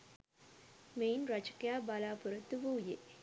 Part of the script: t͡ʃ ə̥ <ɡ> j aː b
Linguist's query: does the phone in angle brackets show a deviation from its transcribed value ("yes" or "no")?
yes